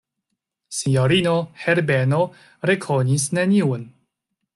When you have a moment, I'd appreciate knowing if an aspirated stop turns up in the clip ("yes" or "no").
yes